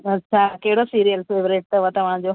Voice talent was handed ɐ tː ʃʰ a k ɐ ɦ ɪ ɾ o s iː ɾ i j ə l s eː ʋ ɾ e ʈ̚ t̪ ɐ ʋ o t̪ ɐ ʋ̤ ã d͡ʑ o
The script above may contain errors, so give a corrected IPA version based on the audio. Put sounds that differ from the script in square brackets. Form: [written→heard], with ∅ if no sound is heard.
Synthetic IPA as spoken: ɐ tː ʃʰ a k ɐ ɦ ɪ [ɾ→ɽ] o s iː ɾ i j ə l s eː ʋ ɾ e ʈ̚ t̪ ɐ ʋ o t̪ ɐ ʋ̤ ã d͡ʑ o